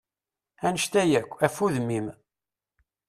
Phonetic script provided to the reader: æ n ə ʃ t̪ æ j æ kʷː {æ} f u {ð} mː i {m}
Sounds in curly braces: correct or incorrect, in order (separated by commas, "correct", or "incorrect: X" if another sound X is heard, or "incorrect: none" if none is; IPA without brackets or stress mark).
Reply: correct, correct, correct